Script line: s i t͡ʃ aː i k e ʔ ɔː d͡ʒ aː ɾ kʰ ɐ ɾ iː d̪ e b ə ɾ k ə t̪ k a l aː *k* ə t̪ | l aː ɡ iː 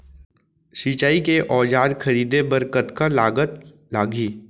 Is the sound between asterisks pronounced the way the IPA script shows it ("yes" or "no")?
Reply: no